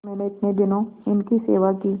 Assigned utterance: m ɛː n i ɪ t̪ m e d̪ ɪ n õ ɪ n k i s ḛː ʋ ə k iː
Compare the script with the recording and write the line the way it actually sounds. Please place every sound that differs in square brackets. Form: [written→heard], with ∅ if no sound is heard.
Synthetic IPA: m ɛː n [i→e] ɪ t̪ [m→n] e d̪ ɪ n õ ɪ n k i s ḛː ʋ [ə→a] k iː